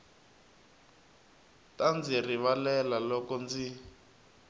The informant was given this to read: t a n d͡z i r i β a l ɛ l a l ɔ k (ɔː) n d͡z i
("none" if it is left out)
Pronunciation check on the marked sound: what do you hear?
ɔ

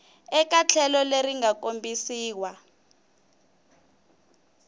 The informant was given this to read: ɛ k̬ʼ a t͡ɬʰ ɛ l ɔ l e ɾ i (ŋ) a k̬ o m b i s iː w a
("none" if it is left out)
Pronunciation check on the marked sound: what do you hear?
ŋ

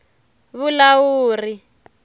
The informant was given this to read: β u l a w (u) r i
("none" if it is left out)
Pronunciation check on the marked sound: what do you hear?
uː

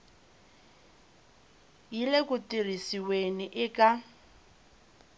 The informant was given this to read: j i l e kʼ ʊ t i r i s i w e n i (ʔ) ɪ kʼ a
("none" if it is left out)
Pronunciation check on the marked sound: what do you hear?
ʔ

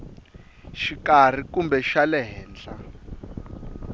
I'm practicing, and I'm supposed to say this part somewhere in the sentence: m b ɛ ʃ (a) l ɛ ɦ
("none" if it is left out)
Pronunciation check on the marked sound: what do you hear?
a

